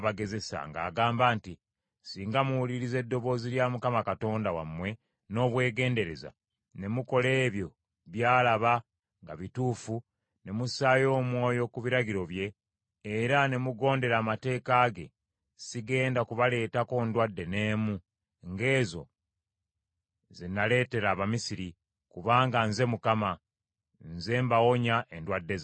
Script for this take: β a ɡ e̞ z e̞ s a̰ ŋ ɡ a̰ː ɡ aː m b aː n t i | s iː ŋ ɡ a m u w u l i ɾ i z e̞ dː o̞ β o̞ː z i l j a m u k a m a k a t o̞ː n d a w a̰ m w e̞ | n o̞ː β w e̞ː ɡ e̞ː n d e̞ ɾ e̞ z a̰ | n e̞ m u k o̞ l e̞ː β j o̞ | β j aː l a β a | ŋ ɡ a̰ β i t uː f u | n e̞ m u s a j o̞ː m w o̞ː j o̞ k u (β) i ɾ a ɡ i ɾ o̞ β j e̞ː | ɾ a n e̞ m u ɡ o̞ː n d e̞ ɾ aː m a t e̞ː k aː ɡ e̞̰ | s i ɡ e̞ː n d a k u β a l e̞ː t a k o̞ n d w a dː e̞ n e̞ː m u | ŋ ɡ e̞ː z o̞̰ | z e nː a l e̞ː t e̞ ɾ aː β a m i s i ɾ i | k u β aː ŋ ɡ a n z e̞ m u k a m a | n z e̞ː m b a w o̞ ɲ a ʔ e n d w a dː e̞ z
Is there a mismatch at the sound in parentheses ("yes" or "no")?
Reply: no